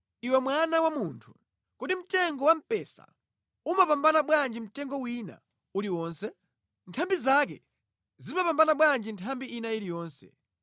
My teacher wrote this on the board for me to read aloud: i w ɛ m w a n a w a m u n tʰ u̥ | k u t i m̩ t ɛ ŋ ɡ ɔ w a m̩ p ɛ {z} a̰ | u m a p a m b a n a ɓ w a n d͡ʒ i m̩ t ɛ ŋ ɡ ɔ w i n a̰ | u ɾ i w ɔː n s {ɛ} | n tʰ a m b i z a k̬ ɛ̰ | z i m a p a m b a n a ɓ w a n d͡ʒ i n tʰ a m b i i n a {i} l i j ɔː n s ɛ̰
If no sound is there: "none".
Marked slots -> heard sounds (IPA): s, ɛ, i

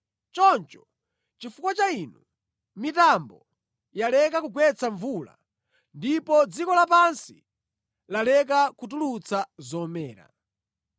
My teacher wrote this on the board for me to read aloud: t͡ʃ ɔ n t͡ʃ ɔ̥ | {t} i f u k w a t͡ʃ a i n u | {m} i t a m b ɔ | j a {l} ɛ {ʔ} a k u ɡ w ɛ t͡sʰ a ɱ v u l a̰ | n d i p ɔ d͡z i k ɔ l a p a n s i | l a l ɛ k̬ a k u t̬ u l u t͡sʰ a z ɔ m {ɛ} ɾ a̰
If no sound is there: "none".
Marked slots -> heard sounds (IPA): t͡ʃ, m, l, k, ɛː

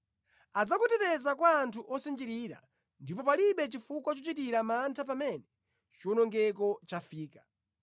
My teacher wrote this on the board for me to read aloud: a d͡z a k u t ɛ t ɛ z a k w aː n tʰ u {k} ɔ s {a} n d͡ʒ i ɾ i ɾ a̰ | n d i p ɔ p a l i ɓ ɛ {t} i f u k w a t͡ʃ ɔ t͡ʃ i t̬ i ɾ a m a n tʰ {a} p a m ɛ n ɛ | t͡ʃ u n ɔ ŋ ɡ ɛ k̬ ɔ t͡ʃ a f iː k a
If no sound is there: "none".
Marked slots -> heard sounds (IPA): ʔ, i, t͡ʃ, a

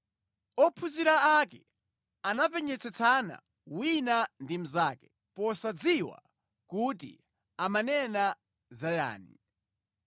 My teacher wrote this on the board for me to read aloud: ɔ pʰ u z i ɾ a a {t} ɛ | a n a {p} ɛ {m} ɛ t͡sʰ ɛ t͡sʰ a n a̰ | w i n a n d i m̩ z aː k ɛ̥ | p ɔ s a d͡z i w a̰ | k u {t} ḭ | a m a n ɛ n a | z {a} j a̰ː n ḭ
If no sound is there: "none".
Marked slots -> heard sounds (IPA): k, p, ɲ, t, a

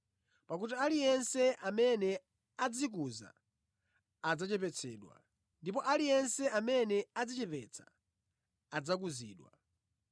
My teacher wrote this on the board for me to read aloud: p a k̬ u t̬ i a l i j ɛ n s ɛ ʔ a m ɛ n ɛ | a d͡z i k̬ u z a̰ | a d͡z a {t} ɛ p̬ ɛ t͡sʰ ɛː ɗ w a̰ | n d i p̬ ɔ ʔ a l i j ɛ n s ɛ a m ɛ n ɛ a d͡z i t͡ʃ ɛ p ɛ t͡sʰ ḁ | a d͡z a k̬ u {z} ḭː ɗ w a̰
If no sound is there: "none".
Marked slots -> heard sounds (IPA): t͡ʃ, z

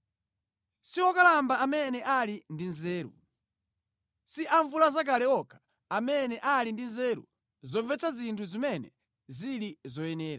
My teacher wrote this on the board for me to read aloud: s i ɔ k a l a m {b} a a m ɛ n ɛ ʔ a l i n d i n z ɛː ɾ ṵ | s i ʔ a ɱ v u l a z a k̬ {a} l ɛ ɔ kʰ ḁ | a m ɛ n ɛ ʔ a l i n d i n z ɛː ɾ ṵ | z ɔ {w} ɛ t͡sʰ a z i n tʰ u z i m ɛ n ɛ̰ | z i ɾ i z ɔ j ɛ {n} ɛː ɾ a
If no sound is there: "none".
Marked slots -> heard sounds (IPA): b, a, v, n

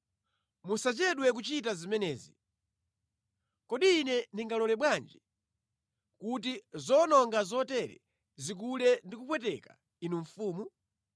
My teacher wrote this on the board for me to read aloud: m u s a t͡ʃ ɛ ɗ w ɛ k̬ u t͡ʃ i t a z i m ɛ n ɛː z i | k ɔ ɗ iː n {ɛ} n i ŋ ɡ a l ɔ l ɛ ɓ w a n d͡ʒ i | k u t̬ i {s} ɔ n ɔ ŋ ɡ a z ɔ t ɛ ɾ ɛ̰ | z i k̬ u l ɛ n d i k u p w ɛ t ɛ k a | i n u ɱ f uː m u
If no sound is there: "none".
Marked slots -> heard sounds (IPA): ɛ, z

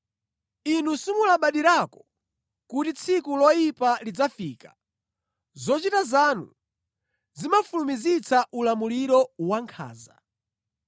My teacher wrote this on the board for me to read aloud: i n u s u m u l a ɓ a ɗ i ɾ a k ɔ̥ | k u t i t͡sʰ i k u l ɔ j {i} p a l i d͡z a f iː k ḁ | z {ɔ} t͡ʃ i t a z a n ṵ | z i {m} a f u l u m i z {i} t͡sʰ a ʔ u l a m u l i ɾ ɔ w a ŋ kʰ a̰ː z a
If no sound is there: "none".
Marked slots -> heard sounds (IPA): i, ɔ, m, i

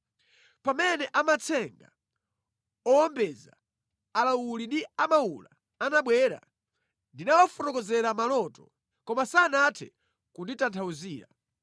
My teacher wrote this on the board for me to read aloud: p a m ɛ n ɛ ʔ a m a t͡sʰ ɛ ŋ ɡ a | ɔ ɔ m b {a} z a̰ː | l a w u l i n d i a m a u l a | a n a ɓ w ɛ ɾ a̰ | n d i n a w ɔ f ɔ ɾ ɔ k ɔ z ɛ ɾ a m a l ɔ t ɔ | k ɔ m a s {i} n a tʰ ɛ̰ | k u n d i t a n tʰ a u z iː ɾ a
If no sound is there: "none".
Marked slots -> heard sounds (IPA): ɛ, a

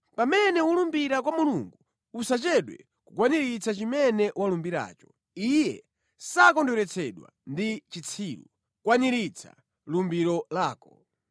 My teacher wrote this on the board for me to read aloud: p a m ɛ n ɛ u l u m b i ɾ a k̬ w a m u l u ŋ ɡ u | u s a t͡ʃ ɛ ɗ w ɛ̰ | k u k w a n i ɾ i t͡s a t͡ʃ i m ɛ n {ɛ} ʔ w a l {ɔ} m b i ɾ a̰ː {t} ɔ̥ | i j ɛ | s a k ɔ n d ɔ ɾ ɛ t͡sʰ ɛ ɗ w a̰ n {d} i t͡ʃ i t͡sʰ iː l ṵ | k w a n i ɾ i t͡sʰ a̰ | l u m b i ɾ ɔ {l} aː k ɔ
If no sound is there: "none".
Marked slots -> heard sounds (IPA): ɛ, u, t͡ʃ, d, l

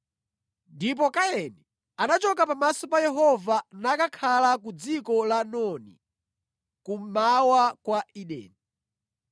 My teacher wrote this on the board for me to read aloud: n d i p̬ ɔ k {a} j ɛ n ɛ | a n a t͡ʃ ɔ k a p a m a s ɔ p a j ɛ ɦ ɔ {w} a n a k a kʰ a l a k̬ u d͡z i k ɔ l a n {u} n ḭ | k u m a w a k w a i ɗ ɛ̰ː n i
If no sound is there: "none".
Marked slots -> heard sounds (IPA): a, v, ɔ

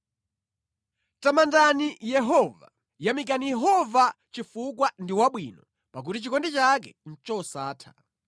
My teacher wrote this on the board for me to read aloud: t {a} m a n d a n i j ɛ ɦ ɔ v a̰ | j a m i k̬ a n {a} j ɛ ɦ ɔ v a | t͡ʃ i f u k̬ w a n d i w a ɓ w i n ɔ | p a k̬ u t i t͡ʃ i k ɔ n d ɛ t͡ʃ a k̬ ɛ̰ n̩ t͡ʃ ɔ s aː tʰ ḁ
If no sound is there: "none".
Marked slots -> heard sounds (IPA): a, i

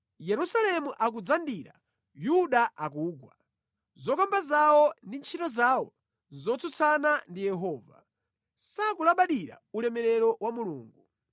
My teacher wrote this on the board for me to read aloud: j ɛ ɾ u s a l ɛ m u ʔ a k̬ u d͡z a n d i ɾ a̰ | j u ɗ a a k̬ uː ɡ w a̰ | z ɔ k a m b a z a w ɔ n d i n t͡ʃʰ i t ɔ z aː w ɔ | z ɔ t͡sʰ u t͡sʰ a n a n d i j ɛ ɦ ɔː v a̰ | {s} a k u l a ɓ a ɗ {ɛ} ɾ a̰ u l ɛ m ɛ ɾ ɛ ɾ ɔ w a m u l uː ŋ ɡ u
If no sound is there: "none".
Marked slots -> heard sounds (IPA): s, i

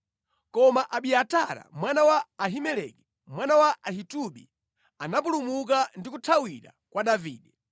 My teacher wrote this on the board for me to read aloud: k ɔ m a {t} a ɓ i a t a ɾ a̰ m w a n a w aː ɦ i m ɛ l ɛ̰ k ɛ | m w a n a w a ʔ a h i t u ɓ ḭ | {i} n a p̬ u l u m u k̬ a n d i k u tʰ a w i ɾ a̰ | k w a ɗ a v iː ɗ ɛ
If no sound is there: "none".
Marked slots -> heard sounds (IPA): ʔ, a

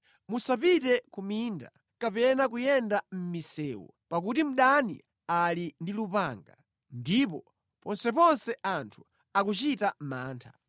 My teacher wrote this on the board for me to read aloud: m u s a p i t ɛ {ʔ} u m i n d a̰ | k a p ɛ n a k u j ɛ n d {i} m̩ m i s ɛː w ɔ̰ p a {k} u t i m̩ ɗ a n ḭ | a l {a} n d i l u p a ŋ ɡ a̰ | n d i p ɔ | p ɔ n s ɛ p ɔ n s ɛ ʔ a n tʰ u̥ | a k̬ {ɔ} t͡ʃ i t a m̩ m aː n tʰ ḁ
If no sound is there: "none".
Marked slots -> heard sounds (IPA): k, a, k, i, u

